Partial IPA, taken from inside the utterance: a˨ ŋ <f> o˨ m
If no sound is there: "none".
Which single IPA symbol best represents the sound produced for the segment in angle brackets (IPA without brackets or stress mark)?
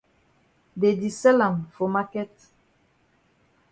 f